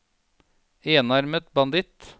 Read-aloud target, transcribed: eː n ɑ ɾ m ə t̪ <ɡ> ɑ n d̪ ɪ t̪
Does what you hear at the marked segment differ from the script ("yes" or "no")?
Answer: yes